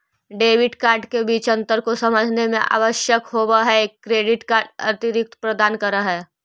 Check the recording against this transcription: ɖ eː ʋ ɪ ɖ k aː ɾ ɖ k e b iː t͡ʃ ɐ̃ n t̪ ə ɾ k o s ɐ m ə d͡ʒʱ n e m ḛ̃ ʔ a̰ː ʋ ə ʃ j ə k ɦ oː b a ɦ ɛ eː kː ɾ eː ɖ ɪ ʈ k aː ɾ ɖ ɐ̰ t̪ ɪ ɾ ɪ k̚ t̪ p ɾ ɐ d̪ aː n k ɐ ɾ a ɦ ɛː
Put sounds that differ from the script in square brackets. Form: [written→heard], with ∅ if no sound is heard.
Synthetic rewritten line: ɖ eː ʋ ɪ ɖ k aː ɾ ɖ k e b iː t͡ʃ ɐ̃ n t̪ ə ɾ k o s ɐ m ə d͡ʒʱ n e m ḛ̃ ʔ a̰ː ʋ ə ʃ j ə k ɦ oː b a ɦ ɛ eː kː ɾ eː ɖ ɪ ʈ k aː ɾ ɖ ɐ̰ t̪ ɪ ɾ ɪ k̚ t̪ p ɾ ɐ d̪ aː n k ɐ ɾ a ɦ ɛː